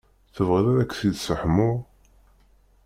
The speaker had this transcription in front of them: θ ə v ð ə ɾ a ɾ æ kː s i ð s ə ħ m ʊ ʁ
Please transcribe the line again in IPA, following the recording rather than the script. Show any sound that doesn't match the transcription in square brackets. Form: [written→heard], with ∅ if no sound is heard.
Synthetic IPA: θ ə v [ð→ʁ] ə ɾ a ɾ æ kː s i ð s ə ħ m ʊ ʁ